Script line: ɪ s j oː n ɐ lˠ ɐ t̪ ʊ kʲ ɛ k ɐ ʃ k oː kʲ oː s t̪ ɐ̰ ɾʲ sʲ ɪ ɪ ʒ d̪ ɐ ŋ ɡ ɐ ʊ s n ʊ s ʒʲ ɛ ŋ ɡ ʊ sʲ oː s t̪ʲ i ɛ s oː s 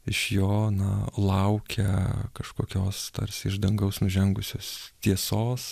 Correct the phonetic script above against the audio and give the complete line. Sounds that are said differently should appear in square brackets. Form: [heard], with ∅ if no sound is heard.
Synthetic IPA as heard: ɪ [ʃ] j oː n ɐ lˠ ɐ [∅] ʊ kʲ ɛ k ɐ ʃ k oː kʲ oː s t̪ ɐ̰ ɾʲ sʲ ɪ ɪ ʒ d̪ ɐ ŋ ɡ ɐ ʊ s n ʊ [∅] ʒʲ ɛ ŋ ɡ ʊ sʲ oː s t̪ʲ i ɛ s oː s